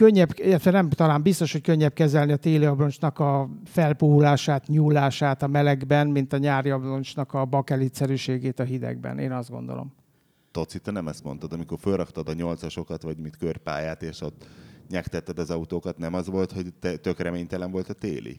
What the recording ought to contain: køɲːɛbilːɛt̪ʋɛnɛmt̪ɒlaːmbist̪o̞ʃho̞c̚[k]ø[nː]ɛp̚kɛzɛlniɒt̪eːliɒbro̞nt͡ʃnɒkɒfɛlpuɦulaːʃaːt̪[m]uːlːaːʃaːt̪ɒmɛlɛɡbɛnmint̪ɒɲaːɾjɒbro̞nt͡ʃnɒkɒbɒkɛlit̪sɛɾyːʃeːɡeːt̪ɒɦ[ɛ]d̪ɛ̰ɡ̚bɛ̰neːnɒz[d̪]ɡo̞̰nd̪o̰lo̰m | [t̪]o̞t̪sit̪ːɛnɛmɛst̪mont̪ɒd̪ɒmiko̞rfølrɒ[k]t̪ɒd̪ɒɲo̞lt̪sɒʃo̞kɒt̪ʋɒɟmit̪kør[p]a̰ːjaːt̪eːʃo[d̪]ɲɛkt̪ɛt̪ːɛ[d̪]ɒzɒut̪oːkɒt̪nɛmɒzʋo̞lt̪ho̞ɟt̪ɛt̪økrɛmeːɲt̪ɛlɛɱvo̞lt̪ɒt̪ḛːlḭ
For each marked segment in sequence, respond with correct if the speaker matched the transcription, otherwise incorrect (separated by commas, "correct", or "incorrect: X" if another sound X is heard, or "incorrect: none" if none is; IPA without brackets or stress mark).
correct, incorrect: ɲː, incorrect: ɲ, incorrect: i, correct, correct, correct, correct, incorrect: t̪, correct